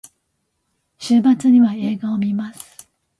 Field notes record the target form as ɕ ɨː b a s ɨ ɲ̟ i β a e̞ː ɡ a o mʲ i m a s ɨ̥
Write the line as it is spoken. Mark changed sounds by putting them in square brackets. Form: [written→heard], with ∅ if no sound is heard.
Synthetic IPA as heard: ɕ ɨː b a [s→t͡s] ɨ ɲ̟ i β a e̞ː ɡ a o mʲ i m a s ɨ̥